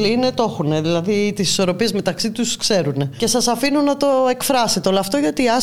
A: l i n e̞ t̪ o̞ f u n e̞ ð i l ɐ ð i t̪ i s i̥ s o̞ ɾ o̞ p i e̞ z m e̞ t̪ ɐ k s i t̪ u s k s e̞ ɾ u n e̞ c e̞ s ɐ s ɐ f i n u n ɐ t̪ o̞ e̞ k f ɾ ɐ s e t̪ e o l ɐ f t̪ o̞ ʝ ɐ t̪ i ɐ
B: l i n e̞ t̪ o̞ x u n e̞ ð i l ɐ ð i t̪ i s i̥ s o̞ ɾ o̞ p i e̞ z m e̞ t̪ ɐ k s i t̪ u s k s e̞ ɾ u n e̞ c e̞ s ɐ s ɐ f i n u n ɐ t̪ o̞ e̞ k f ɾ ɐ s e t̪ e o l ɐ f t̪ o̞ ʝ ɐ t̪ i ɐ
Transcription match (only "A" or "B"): B